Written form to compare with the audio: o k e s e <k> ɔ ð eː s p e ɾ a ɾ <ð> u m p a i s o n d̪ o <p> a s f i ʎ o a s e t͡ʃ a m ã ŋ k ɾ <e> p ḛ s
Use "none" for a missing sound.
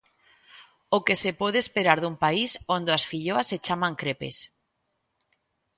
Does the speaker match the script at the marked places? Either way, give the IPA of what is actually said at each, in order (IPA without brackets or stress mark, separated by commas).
p, ð, none, e